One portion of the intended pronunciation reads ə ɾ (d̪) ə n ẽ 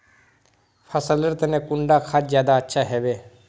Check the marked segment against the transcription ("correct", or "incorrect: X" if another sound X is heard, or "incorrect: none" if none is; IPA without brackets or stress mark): incorrect: t̪